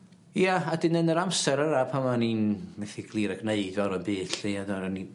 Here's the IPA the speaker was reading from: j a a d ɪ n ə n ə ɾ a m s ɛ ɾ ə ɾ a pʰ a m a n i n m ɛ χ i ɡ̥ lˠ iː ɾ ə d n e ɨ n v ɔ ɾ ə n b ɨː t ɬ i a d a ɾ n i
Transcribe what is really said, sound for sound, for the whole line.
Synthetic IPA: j a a d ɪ n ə n ə ɾ a m s ɛ ɾ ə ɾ a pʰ a m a n i n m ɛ θ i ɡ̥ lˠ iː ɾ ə ɡ n e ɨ d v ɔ ɾ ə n b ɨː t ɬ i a d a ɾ n i